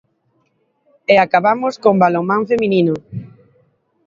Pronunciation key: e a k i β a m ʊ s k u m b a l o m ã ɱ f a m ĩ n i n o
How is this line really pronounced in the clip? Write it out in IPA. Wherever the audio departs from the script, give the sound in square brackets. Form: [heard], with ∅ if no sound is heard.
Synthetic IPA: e a k [a] β a m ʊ s k [o] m b a l o m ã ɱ f [e] m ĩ n i n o